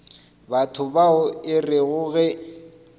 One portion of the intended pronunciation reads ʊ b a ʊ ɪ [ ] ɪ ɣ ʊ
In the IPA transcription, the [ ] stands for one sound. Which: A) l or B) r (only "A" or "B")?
B